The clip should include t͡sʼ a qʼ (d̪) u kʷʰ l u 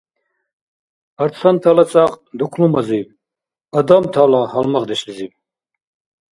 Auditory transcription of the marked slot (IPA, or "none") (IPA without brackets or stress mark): d̪